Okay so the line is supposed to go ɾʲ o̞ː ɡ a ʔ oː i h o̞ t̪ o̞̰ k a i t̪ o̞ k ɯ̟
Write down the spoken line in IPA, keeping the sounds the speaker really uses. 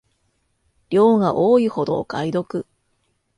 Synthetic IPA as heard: ɾʲ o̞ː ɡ a ʔ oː i h o̞ d̪ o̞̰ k a i d̪ o̞ k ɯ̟